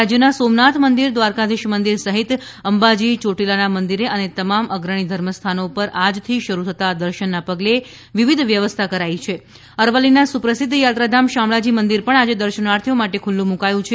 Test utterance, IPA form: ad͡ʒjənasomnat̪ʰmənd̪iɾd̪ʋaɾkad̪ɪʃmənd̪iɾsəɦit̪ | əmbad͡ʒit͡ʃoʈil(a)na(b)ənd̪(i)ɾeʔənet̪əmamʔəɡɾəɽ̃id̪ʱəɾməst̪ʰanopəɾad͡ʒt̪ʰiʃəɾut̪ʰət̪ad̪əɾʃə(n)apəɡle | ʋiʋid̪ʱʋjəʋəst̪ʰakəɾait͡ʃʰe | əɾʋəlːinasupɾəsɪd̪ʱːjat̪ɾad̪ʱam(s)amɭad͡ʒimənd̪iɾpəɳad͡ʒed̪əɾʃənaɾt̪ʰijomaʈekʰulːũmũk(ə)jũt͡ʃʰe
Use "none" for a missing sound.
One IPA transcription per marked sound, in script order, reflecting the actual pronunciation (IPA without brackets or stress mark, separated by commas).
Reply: a, m, i, nː, ʃ, a